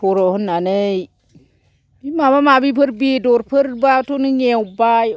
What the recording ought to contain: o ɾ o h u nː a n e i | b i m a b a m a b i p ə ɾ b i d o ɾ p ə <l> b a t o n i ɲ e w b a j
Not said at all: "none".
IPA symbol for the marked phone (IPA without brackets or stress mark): ɾ